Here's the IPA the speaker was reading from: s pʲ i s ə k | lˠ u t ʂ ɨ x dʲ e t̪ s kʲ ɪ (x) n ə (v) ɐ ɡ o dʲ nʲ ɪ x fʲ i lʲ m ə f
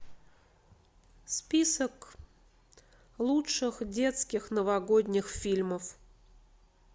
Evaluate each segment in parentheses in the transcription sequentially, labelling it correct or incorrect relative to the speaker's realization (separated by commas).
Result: correct, correct